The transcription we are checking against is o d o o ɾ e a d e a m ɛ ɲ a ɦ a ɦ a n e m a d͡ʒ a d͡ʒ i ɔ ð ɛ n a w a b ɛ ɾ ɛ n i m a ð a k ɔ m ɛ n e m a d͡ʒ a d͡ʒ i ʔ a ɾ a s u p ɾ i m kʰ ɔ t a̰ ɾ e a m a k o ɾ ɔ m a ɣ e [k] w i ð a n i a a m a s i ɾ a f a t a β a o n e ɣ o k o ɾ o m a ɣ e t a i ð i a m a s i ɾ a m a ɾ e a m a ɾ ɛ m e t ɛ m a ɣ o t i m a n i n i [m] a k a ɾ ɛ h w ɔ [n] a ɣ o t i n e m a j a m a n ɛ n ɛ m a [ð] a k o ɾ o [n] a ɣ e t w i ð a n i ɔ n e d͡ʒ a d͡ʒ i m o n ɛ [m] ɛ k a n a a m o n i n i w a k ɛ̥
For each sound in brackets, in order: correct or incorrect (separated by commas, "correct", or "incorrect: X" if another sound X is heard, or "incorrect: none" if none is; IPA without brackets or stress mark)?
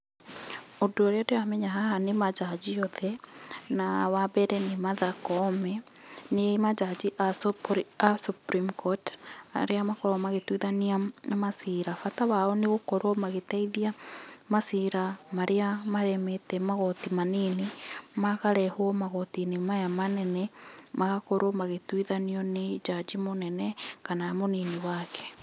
incorrect: t, correct, incorrect: m, incorrect: ɣ, incorrect: m, incorrect: n